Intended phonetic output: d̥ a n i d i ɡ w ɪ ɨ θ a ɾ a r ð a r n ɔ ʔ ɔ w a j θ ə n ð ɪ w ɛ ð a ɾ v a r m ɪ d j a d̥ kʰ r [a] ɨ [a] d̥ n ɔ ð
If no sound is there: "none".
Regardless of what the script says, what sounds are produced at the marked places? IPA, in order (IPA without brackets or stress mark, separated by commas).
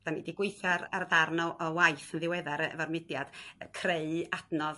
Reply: e, a